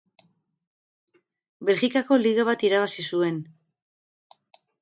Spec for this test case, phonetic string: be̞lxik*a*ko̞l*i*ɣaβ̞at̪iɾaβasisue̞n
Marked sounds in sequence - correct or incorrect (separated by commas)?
correct, correct